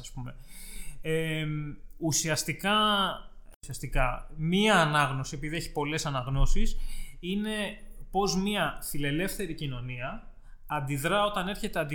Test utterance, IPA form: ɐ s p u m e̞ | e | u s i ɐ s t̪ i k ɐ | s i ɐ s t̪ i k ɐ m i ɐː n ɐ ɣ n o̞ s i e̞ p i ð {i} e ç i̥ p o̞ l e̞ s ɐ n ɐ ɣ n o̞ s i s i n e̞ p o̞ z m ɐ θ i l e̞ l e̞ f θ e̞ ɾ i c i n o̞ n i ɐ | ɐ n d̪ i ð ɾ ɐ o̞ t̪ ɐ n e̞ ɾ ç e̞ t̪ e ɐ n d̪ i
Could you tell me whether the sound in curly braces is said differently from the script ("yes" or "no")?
no